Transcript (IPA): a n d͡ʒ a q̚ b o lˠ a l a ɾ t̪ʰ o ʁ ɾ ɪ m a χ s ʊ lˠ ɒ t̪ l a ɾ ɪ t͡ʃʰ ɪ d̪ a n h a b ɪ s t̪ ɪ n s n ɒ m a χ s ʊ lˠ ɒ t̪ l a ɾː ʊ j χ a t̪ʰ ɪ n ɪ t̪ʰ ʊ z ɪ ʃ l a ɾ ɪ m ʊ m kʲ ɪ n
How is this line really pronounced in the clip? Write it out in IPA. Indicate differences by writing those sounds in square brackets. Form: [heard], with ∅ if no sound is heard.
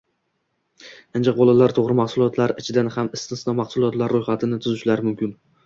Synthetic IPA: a n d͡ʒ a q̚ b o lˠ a l a ɾ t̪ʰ o ʁ ɾ ɪ m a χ s ʊ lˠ ɒ t̪ l a ɾ ɪ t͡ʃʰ ɪ d̪ a n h a [m] ɪ s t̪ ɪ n s n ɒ m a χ s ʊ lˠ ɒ t̪ l a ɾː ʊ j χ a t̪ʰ ɪ n ɪ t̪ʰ ʊ z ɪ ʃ l a ɾ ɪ m ʊ m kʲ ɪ n